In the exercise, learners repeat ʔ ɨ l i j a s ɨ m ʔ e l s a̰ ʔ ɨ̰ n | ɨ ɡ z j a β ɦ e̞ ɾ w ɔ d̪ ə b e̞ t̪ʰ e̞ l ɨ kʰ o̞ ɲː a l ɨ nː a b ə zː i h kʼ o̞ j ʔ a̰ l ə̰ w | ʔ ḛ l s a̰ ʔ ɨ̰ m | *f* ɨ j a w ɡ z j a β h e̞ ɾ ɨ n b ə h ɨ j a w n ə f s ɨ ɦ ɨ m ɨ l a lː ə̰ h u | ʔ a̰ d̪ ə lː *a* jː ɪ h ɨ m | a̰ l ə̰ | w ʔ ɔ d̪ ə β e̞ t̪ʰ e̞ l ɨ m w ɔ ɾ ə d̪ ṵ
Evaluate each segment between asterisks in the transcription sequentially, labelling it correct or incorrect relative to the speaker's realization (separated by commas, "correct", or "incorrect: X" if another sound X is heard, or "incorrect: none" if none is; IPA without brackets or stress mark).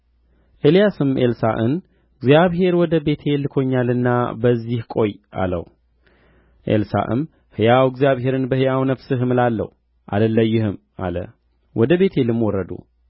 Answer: incorrect: h, incorrect: ə